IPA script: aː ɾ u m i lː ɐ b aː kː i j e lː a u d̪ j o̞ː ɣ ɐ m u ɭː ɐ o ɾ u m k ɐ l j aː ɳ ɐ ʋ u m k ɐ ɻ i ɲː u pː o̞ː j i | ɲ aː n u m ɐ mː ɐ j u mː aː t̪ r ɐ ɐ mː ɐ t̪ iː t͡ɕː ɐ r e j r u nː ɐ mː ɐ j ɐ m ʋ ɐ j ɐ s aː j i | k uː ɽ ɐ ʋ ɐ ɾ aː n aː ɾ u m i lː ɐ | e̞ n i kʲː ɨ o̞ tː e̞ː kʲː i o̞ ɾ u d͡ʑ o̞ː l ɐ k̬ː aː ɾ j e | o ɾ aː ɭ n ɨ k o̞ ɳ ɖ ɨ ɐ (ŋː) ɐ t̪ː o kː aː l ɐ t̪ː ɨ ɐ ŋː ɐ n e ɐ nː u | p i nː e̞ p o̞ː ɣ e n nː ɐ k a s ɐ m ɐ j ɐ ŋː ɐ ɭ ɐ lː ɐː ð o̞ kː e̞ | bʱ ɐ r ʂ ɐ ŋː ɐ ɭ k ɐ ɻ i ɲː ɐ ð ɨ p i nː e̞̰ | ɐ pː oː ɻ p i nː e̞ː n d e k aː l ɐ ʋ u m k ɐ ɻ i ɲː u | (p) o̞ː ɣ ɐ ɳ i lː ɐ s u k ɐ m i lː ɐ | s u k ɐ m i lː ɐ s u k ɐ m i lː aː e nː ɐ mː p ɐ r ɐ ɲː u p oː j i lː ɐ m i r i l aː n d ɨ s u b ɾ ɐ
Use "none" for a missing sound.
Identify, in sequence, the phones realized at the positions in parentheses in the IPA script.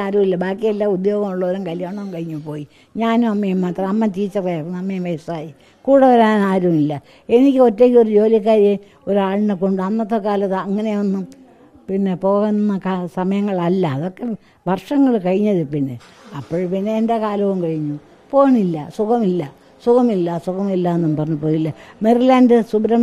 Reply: nː, p

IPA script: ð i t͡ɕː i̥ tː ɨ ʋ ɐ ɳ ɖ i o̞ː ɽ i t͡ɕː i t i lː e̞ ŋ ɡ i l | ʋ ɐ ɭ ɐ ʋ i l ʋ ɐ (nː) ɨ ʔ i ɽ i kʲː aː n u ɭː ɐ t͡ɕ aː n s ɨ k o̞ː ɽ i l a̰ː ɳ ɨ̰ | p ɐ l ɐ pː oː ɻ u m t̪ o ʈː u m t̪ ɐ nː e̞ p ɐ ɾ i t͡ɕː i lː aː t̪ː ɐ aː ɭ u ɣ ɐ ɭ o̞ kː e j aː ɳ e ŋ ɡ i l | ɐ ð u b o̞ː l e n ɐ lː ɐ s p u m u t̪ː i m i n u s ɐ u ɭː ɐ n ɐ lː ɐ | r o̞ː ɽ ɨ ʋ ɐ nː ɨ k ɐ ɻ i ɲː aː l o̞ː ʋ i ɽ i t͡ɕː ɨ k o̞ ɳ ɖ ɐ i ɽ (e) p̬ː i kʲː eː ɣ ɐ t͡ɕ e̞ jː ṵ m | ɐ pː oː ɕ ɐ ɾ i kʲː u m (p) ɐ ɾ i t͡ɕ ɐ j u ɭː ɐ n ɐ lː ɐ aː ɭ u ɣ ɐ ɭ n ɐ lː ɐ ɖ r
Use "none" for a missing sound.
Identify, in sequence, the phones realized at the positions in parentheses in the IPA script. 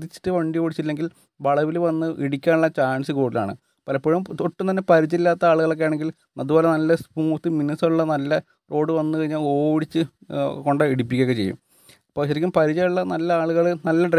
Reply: nː, i, p

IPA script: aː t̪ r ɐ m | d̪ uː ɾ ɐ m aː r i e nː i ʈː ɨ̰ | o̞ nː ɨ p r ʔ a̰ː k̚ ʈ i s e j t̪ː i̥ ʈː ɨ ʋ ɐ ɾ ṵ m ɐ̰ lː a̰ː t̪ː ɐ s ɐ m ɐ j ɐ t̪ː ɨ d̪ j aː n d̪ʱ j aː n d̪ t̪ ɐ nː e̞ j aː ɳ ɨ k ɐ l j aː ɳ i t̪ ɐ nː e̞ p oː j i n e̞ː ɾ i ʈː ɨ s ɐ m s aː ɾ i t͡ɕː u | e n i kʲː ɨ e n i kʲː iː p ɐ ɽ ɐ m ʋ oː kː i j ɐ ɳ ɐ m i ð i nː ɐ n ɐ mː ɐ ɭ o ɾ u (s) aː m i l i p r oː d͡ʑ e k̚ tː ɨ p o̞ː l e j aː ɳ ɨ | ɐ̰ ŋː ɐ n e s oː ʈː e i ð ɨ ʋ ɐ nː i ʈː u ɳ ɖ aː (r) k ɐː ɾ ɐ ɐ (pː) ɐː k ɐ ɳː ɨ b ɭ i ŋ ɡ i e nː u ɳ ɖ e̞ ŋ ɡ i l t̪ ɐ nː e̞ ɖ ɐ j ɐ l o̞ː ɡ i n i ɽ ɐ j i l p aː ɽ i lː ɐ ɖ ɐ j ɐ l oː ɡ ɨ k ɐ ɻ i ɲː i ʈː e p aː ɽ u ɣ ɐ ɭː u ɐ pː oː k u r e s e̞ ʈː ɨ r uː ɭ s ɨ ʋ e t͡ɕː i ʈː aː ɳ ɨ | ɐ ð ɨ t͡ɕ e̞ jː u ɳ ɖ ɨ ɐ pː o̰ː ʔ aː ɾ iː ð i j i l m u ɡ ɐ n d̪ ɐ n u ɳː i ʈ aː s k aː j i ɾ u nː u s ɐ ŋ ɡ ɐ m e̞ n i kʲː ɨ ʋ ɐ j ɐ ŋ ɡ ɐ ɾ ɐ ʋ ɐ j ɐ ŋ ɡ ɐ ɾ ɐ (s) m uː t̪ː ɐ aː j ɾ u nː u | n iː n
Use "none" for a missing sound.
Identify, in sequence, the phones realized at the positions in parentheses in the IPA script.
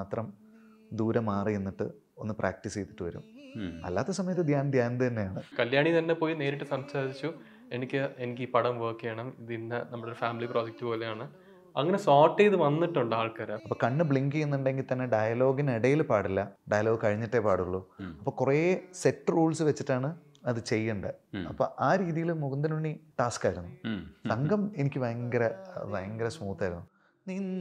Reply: f, ɭ, pː, s

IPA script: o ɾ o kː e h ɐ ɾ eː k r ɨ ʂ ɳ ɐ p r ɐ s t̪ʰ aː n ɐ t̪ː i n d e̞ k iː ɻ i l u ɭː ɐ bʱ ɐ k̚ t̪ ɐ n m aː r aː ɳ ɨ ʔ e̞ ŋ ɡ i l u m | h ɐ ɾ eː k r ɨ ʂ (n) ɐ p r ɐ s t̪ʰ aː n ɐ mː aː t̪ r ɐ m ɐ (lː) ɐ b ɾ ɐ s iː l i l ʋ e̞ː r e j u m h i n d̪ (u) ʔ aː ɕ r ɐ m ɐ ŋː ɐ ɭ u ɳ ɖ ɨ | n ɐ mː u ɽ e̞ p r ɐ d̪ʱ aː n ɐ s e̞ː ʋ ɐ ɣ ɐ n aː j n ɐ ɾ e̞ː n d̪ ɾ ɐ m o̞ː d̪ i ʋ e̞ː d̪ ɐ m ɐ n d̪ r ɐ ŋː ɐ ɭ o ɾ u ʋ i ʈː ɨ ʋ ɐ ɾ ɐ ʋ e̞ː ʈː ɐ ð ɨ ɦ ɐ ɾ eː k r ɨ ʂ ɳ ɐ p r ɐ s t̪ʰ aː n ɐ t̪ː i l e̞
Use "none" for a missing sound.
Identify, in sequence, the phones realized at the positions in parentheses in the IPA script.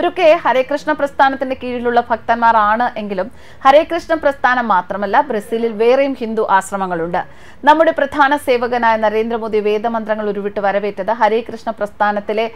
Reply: ɳ, lː, u

